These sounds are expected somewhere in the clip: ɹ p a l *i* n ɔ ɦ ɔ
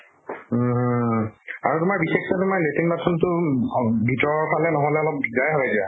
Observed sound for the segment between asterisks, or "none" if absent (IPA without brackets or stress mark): ɛ